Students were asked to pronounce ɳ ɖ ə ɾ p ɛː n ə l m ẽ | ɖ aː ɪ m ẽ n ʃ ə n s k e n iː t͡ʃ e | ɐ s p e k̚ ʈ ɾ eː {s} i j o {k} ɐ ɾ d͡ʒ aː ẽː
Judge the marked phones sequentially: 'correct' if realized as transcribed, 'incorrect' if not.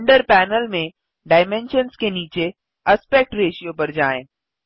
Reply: incorrect, incorrect

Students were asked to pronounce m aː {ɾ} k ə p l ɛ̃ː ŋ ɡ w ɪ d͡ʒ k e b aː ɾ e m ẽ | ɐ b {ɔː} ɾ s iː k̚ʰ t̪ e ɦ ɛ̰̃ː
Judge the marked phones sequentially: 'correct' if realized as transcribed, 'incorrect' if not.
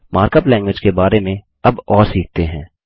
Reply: correct, correct

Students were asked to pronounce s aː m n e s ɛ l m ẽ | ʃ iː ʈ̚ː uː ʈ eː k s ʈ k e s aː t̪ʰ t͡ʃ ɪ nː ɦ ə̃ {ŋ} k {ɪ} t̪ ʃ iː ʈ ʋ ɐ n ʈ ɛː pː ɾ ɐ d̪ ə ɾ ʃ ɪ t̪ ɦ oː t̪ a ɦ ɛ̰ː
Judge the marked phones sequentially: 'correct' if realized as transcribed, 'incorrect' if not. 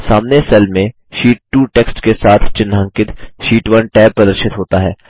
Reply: correct, correct

